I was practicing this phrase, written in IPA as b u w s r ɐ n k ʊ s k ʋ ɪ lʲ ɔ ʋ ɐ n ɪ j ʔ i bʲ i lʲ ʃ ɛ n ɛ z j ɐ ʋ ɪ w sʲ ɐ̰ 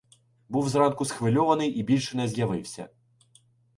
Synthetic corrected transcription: b u w z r ɑ n k ʊ s x ʋ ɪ lʲ ɔ ʋ ɐ n ɪ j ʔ i bʲ i lʲ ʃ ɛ n ɛ z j ɐ ʋ ɪ w sʲ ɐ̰